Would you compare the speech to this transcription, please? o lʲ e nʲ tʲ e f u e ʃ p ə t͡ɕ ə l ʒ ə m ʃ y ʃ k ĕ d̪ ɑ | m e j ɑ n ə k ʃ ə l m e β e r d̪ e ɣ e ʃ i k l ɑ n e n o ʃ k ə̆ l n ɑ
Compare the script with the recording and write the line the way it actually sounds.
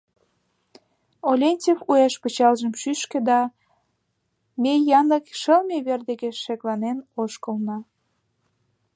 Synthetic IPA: o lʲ e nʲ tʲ e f u e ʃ p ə t͡ɕ ɑ l ʒ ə m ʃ y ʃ k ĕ d̪ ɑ | m e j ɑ n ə k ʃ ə l m e β e r d̪ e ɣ e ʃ e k l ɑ n e n o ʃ k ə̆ l n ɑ